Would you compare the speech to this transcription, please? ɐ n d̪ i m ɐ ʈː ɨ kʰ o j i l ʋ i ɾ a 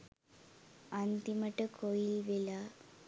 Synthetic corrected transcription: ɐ n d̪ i m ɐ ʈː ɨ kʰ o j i l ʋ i l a